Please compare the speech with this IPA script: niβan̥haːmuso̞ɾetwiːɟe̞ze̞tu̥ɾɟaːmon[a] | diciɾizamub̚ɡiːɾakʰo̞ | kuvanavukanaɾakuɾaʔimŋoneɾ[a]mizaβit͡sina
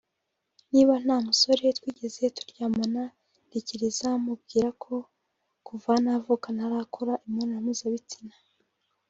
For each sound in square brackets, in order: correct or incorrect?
correct, correct

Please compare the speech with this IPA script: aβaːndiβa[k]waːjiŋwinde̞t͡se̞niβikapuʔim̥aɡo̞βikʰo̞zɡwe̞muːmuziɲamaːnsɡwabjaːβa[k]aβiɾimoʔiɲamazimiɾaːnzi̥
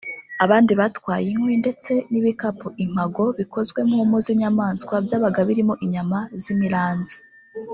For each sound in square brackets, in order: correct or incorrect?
incorrect, incorrect

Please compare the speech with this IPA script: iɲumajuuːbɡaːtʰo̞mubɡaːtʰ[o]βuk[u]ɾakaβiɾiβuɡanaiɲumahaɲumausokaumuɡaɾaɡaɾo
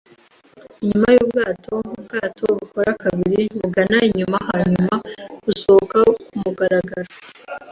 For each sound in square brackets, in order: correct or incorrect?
correct, incorrect

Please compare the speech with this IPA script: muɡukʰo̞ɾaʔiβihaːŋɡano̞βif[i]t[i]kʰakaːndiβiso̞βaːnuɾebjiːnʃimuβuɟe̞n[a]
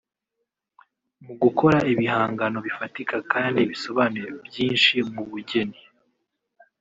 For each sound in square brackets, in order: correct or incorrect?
incorrect, correct, incorrect

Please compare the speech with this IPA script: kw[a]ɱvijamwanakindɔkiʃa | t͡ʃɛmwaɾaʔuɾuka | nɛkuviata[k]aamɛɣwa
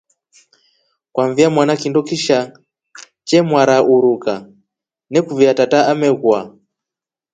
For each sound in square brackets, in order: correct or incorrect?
correct, incorrect

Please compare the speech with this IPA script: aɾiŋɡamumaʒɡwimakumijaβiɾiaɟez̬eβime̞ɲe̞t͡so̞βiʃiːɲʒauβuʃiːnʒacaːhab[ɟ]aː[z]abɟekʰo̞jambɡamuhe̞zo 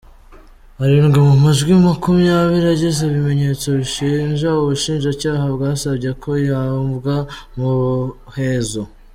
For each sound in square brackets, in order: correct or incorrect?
incorrect, incorrect

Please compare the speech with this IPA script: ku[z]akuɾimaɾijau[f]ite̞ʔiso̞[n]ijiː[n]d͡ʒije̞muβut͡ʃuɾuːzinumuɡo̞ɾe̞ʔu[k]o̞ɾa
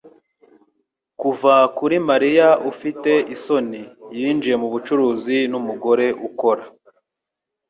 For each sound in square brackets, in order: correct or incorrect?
incorrect, correct, correct, correct, correct

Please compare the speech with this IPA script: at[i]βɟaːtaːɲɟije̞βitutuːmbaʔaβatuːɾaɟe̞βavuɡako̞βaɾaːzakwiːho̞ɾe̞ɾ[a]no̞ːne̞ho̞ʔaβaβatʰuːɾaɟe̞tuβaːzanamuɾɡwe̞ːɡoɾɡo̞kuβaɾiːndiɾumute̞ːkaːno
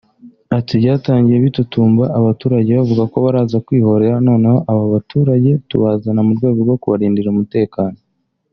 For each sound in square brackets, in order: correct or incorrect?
correct, correct

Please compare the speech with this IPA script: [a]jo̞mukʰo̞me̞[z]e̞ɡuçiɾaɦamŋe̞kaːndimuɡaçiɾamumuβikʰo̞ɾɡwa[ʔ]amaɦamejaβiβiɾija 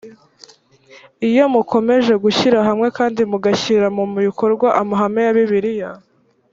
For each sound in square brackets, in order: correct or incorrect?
incorrect, incorrect, correct

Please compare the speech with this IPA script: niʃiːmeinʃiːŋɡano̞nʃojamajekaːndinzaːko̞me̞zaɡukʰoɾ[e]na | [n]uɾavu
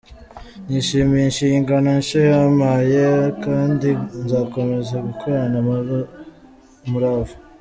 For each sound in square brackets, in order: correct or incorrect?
incorrect, incorrect

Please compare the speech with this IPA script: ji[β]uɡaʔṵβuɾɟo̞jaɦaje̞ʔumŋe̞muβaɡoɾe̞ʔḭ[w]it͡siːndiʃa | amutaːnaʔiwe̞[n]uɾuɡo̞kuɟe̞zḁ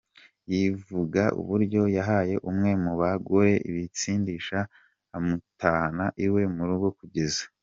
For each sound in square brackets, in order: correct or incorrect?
incorrect, incorrect, incorrect

